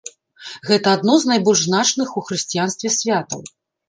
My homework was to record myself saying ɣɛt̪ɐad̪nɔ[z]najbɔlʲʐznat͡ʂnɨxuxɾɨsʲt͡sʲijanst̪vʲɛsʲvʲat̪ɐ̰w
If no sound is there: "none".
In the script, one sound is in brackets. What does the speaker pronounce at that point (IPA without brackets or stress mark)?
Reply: z